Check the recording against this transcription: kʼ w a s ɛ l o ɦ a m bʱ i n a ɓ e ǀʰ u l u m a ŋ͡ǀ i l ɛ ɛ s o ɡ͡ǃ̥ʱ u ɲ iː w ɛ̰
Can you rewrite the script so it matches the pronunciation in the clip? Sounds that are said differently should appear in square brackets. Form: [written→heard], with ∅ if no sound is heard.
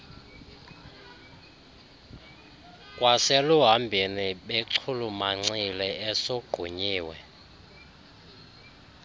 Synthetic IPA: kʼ w a s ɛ l [o→u] ɦ a m bʱ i n [a→i] ɓ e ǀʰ u l u m a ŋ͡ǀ i l ɛ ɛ s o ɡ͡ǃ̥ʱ u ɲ iː w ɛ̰